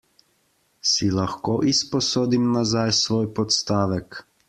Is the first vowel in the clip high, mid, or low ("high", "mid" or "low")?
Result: high